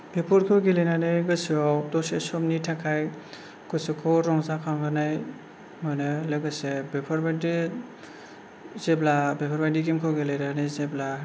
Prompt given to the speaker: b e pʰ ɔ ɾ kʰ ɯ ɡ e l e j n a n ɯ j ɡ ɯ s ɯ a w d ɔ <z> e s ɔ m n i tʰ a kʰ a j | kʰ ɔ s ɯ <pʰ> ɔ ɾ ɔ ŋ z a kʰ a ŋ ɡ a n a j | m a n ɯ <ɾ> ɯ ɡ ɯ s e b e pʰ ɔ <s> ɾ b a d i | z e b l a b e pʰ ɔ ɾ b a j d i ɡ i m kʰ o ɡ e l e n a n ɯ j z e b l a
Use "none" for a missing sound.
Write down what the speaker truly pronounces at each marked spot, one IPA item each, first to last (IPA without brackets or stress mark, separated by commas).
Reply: s, kʰ, l, none